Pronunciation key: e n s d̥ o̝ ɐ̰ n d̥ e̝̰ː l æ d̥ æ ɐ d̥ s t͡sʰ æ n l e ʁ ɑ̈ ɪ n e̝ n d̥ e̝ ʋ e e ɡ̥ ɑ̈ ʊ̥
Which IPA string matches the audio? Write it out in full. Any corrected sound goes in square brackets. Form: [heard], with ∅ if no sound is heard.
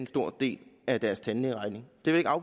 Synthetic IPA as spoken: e n s d̥ o̝ ɐ̰ [∅] d̥ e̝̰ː l æ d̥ æ ɐ [∅] s t͡sʰ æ n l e ʁ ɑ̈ ɪ n e̝ [ŋ] d̥ e̝ ʋ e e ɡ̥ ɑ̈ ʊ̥